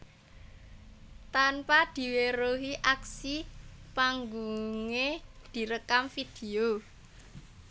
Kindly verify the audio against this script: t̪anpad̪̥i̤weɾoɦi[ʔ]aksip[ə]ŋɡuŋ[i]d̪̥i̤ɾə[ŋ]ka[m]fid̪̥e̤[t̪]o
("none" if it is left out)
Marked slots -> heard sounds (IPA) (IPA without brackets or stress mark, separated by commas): ʔ, a, e, none, m, none